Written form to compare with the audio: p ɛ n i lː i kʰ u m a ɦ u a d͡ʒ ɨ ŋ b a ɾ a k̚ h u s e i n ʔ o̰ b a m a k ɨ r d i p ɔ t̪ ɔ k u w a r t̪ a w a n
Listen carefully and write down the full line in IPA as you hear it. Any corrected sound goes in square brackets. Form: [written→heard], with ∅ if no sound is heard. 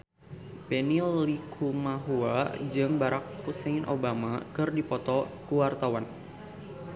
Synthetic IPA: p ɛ n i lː i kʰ u m a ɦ u a d͡ʒ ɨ ŋ b a ɾ a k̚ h u s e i n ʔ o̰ b a m a k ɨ r d i p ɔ t̪ ɔ k u w a r t̪ a w a n